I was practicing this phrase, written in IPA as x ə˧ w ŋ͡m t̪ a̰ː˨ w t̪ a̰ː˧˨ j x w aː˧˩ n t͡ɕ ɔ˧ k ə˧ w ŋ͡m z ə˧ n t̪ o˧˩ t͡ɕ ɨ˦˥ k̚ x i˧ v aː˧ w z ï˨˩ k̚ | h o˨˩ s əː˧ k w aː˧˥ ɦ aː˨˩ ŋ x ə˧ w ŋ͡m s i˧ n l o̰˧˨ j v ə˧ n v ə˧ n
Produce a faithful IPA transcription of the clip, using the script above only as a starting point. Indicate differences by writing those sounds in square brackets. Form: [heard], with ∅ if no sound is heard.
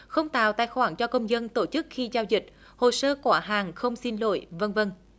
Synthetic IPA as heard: x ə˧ w ŋ͡m t̪ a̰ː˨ w t̪ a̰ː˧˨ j x w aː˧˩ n t͡ɕ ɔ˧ k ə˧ w ŋ͡m z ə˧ n t̪ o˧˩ t͡ɕ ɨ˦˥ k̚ x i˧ [z] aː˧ w z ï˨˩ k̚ | h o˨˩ s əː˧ k w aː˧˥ ɦ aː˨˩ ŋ x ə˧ w ŋ͡m s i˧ n l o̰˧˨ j v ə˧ n v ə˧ n